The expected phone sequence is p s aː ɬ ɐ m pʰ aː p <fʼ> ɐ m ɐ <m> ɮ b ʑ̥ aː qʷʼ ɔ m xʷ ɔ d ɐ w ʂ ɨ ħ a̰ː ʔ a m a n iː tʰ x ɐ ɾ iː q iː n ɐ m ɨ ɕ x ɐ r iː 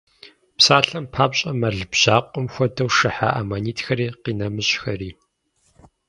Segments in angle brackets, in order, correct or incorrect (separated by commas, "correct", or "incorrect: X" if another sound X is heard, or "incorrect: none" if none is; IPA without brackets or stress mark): incorrect: ɕʼ, incorrect: none